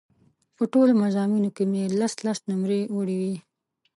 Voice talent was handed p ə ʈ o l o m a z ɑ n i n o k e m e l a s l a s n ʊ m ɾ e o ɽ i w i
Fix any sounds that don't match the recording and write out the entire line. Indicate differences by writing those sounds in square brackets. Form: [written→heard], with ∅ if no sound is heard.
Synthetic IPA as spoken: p ə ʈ o l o m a z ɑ [n→m] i n o k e m e l a s l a s n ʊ m ɾ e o ɽ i w i